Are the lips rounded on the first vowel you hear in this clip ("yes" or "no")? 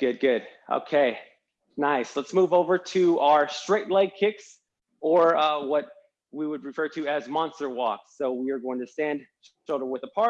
yes